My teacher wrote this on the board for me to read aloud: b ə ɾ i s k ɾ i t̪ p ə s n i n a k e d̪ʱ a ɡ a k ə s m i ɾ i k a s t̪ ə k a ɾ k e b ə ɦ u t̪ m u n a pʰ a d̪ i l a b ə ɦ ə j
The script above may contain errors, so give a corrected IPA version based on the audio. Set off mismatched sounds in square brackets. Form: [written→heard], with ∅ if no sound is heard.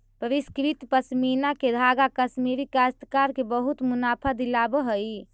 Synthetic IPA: [b→p] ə ɾ i s k ɾ i t̪ p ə s [n→m] i n a k e d̪ʱ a ɡ a k ə s m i ɾ i k a s t̪ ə k a ɾ k e b ə ɦ u t̪ m u n a pʰ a d̪ i l a b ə ɦ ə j